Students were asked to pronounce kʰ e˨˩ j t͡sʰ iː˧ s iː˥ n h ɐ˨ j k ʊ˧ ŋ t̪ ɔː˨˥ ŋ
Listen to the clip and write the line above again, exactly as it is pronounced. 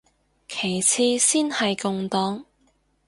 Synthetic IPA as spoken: kʰ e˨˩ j t͡sʰ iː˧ s iː˥ n h ɐ˨ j k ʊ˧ ŋ t̪ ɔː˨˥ ŋ